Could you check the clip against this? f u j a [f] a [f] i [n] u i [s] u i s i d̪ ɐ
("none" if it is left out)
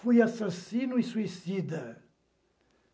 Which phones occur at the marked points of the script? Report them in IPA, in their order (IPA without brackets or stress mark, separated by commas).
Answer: s, s, n, s